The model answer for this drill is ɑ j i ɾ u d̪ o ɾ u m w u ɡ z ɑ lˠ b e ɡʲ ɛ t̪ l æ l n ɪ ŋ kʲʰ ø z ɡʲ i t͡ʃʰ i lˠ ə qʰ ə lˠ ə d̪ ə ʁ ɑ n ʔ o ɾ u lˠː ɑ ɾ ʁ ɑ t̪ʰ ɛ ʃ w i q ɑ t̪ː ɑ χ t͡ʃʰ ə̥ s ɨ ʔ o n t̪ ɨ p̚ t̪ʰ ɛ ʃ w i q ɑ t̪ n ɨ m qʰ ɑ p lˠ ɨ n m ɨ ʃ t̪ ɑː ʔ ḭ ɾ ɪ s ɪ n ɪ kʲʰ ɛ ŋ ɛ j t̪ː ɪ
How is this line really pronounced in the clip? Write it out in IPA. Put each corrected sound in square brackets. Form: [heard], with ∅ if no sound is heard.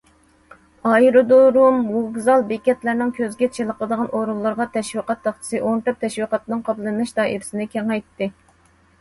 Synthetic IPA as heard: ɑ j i ɾ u d̪ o ɾ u m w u ɡ z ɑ lˠ b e [kʲ] ɛ t̪ l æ [ɾ] n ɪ ŋ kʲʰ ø z ɡʲ [ɛ] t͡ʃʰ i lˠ ə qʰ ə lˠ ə d̪ ə ʁ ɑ n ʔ o ɾ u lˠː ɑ ɾ ʁ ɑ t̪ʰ ɛ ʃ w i q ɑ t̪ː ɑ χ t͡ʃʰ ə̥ s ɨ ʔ o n t̪ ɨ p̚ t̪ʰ ɛ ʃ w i q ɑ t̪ n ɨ [ŋ] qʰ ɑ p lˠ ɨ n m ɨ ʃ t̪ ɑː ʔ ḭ ɾ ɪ s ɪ n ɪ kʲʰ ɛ ŋ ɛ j t̪ː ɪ